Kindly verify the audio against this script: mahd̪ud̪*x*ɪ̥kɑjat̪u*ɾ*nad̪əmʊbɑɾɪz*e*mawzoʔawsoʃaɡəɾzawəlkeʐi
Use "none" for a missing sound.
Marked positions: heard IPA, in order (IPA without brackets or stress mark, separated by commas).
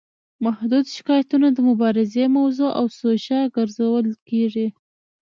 ʃ, none, e